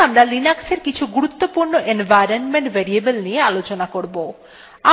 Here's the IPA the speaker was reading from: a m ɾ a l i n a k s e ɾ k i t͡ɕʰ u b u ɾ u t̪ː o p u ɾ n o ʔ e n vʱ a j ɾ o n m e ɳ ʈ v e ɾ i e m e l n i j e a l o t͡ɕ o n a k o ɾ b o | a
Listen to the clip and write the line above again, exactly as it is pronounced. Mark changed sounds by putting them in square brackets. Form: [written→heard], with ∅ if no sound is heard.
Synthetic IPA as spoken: a m ɾ a l i n a k s e ɾ k i t͡ɕʰ u [b→ɡ] u ɾ u t̪ː o p u ɾ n o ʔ e n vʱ a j ɾ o n m e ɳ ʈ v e ɾ i e [m→b] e l n i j e a l o t͡ɕ o n a k o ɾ b o | a